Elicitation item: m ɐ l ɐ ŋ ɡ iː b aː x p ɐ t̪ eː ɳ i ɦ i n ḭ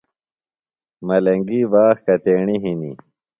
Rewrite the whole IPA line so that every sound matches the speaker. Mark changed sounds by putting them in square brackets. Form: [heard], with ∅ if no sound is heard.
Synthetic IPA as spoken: m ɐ l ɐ ŋ ɡ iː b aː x [k] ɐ t̪ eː ɳ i ɦ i n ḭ